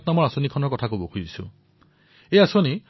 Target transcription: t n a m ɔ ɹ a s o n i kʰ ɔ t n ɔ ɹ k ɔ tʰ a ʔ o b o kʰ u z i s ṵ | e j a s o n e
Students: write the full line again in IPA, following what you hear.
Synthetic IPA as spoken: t n a m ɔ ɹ a s o n i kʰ ɔ n ɔ ɹ k ɔ tʰ a k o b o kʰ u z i s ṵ | e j a s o n i